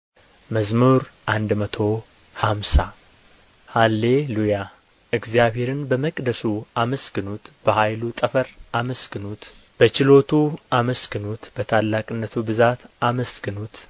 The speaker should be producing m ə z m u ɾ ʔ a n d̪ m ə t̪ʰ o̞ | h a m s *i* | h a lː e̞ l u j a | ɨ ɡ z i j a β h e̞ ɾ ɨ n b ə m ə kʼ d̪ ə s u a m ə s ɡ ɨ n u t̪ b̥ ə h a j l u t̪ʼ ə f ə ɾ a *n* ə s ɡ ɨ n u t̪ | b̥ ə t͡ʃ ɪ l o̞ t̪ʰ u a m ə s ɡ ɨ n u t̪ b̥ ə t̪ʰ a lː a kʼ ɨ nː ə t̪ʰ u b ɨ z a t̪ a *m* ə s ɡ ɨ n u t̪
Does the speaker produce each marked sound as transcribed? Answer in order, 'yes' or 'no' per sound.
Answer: no, no, yes

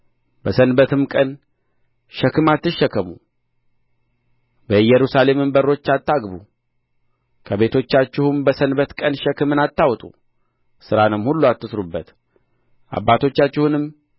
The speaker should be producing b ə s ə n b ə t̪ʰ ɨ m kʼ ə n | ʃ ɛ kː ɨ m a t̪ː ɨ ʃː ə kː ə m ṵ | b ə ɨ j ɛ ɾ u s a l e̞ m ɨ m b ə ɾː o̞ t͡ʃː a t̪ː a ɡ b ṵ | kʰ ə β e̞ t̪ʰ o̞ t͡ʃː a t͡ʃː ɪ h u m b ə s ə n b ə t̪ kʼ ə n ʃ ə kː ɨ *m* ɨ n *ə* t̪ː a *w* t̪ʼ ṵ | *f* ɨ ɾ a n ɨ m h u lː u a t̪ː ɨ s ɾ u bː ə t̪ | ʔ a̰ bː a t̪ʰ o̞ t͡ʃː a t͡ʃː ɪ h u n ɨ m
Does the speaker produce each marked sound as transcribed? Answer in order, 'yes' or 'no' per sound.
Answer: yes, no, yes, no

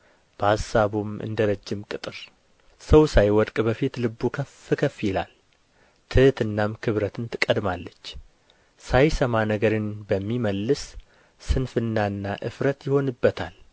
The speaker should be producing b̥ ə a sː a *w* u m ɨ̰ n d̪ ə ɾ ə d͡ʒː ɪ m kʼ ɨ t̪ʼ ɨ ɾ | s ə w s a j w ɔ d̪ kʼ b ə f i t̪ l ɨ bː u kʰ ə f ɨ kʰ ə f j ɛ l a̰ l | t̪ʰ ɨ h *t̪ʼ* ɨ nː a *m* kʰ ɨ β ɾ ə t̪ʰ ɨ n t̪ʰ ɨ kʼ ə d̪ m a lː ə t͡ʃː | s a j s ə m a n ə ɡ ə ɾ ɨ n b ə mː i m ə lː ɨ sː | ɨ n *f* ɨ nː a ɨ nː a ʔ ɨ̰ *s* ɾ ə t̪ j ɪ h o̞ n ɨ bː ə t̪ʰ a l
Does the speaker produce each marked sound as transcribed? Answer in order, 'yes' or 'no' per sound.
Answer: no, no, yes, yes, no

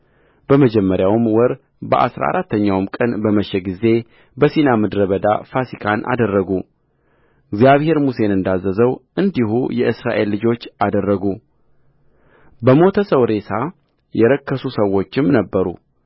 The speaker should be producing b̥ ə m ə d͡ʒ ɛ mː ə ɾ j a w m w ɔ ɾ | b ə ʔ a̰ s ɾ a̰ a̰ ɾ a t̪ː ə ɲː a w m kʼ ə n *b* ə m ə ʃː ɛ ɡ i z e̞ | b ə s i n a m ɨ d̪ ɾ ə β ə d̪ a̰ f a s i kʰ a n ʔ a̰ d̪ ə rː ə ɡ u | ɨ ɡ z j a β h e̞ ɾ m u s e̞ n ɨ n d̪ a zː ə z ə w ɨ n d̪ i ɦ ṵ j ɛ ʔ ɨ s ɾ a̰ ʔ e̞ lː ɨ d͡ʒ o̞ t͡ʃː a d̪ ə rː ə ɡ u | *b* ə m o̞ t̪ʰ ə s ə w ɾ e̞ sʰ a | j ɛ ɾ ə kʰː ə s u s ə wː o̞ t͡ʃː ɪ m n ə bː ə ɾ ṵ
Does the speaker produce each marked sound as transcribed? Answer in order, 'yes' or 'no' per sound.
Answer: yes, yes

